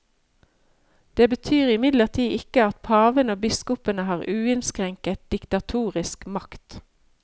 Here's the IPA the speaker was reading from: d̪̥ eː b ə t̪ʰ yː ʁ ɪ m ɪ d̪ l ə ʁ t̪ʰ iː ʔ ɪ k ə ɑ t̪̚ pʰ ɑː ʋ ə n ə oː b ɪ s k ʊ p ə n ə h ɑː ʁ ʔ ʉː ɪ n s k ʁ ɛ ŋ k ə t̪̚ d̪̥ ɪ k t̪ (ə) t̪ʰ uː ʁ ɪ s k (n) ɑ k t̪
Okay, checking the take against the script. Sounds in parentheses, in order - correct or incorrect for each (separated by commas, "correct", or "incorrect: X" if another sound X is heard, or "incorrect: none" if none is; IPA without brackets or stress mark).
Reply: incorrect: ɑ, incorrect: m